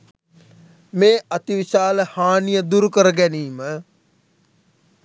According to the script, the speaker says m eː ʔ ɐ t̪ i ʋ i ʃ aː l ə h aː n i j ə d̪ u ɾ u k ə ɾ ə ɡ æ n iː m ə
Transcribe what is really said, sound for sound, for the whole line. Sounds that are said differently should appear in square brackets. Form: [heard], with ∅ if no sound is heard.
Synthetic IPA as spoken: m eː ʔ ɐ t̪ i ʋ i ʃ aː l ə h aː n i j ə d̪ u ɾ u k ə ɾ ə ɡ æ n iː m ə